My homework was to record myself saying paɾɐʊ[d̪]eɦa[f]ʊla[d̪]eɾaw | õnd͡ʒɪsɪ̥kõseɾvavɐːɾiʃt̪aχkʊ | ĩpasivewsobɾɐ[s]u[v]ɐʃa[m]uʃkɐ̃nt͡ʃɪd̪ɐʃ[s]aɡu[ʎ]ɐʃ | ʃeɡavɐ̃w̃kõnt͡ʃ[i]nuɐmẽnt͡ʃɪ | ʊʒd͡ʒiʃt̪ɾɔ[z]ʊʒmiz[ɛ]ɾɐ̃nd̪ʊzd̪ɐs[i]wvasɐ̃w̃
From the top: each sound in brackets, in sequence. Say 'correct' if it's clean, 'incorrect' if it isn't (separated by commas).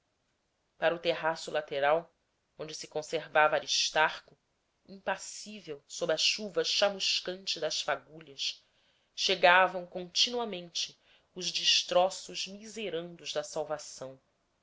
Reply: incorrect, incorrect, incorrect, incorrect, correct, correct, incorrect, correct, correct, incorrect, incorrect, incorrect